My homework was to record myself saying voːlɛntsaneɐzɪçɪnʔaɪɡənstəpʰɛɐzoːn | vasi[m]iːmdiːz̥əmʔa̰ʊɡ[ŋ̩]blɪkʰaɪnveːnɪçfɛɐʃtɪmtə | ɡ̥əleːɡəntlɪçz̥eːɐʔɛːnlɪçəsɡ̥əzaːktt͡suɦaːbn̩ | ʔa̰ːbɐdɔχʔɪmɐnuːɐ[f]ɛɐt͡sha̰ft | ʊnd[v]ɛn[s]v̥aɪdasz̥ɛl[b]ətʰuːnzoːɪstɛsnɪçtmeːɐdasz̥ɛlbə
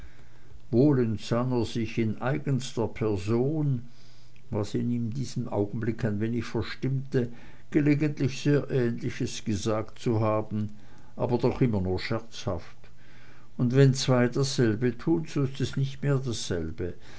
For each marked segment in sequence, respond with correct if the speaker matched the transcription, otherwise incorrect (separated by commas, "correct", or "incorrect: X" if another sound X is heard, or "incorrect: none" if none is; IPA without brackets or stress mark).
incorrect: n, incorrect: n̩, incorrect: ʃ, correct, incorrect: t͡s, correct